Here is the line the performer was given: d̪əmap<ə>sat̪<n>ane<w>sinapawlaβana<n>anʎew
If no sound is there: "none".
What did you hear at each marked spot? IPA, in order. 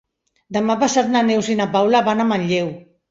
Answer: a, n, w, m

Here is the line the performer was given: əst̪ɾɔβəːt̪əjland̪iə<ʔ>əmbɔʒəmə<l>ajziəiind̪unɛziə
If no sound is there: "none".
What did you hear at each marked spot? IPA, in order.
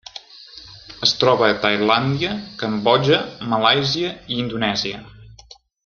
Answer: k, l

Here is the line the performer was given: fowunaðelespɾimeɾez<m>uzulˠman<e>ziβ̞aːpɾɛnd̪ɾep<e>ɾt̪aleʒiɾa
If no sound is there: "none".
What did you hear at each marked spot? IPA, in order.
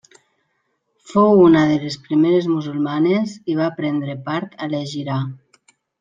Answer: m, e, a

